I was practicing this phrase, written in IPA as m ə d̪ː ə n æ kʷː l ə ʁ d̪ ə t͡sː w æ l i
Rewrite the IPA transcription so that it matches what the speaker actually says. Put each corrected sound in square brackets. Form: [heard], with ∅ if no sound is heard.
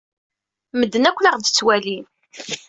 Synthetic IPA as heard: m ə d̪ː ə n æ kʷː l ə ʁ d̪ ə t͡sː w æ l i